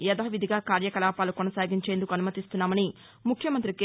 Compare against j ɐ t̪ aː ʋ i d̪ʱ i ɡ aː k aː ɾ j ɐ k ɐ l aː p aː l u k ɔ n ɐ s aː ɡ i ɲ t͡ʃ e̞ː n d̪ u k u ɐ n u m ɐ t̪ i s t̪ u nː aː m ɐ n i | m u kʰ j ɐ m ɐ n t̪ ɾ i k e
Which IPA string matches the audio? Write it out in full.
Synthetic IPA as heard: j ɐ d̪ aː ʋ i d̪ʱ i ɡ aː k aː ɾ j ɐ k ɐ l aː p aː l u k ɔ n ɐ s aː ɡ i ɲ t͡ʃ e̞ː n d̪ u k u ɐ n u m ɐ t̪ i s t̪ u nː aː m ɐ n i | m u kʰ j ɐ m ɐ n t̪ ɾ i k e